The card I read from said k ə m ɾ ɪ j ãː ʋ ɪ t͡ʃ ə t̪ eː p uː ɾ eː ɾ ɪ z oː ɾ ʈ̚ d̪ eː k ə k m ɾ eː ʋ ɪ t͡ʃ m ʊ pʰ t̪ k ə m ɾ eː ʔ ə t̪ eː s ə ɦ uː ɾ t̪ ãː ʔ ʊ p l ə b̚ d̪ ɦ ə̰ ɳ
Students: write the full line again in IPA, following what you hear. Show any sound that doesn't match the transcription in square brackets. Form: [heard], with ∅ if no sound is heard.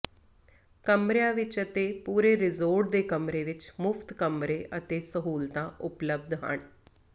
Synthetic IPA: k ə m ɾ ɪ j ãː ʋ ɪ t͡ʃ ə t̪ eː p uː ɾ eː ɾ ɪ z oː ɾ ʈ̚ d̪ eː k ə [∅] m ɾ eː ʋ ɪ t͡ʃ m ʊ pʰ t̪ k ə m ɾ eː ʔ ə t̪ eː s ə ɦ uː [l] t̪ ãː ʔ ʊ p l ə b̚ d̪ ɦ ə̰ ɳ